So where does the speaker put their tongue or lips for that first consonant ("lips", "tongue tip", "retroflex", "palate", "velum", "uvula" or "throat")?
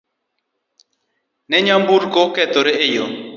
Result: tongue tip